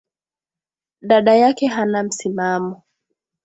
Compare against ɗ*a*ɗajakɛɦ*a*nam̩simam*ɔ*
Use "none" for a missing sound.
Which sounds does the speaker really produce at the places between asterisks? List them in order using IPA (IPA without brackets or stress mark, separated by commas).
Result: a, a, ɔ